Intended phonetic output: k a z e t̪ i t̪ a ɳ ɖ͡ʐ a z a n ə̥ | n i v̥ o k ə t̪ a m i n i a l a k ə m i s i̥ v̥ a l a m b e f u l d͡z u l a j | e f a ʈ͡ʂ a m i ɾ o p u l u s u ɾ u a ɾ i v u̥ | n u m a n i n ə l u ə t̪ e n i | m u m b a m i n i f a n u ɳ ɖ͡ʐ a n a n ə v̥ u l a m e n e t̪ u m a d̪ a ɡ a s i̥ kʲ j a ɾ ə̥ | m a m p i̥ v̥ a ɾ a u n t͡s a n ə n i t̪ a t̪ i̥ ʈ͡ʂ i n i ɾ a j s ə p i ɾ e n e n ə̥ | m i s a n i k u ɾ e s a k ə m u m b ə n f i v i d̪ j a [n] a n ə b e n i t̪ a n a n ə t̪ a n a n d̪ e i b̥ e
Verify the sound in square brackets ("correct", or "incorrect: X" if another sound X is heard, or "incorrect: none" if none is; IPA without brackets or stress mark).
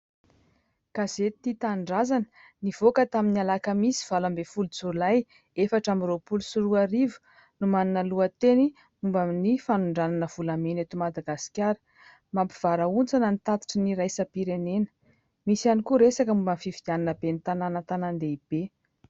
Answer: correct